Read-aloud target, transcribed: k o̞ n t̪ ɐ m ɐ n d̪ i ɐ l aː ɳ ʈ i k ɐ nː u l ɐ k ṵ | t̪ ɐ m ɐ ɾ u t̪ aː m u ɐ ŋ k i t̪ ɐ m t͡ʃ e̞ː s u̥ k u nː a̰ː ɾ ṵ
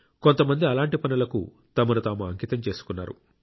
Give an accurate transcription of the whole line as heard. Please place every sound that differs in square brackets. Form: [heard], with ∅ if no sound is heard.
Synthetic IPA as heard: k o̞ n t̪ ɐ m ɐ n d̪ i ɐ l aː ɳ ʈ i [p] ɐ [n] u l ɐ k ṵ | t̪ ɐ m ɐ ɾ u t̪ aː m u ɐ ŋ k i t̪ ɐ m t͡ʃ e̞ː s u̥ k u nː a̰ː ɾ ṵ

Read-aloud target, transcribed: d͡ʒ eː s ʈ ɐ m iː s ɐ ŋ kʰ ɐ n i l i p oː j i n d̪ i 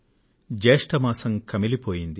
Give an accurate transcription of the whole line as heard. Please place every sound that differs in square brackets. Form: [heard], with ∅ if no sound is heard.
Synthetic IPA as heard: d͡ʒ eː [ʂ] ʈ ɐ m [aː] s ɐ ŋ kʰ ɐ [m] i l i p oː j i n d̪ i

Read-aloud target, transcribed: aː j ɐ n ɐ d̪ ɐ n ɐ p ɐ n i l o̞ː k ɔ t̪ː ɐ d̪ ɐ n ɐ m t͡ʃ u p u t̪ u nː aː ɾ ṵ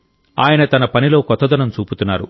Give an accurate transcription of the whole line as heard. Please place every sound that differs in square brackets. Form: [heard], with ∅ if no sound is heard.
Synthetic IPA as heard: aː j ɐ n ɐ [t̪] ɐ n ɐ p ɐ n i l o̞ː k ɔ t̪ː ɐ d̪ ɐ n ɐ m t͡ʃ [uː] p u t̪ u nː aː ɾ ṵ

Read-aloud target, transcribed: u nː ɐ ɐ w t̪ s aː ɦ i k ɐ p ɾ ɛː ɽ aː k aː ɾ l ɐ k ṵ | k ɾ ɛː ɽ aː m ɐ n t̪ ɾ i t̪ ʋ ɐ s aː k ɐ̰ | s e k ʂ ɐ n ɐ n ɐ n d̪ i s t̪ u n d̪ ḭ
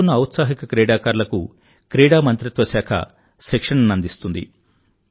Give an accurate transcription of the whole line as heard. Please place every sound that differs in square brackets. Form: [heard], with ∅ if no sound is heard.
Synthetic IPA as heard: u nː ɐ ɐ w t̪ s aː ɦ i k ɐ [k] ɾ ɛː ɽ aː k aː ɾ l ɐ k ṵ | k ɾ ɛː ɽ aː m ɐ n t̪ ɾ i t̪ ʋ ɐ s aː [kʰ] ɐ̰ | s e k ʂ ɐ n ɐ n ɐ n d̪ i s t̪ u n d̪ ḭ

